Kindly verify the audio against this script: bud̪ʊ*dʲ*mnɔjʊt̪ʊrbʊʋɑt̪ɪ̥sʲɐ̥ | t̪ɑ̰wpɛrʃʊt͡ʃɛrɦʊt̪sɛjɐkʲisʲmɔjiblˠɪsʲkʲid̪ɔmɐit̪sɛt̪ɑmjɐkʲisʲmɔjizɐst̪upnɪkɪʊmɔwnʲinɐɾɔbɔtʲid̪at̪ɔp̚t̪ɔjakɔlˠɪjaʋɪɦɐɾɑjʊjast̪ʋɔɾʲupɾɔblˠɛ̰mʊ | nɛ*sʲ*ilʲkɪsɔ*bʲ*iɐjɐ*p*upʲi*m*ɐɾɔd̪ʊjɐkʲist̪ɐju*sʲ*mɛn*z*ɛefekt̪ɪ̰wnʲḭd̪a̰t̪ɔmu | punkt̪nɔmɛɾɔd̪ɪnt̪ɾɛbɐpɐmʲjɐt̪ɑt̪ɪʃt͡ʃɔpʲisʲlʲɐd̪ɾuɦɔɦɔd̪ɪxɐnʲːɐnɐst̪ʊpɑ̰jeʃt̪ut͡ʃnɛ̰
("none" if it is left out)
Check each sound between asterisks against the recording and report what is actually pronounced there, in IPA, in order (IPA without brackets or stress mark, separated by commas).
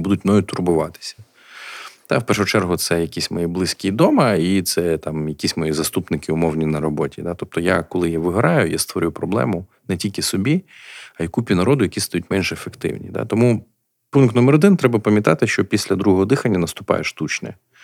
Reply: tʲ, tʲ, bʲ, k, n, tʲ, ʒ